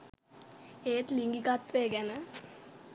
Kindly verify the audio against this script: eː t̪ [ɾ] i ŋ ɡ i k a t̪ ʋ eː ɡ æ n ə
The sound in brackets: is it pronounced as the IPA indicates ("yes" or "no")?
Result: no